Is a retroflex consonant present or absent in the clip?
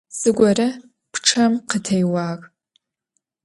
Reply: present